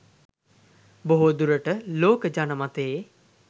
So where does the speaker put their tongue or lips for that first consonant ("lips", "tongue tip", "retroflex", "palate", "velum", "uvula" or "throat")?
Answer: lips